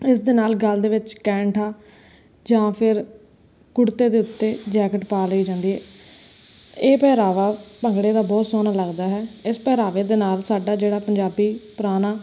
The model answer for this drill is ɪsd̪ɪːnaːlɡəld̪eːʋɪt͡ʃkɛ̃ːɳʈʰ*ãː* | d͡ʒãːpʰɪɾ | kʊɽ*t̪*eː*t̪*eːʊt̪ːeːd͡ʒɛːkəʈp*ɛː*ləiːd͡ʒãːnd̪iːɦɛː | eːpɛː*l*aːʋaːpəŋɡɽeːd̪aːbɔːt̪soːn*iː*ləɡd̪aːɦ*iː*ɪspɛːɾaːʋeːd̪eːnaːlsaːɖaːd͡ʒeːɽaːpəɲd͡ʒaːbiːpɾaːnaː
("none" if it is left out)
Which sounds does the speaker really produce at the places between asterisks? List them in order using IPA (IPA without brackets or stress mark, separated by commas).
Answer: aː, t̪, d̪, aː, ɾ, aː, ɛː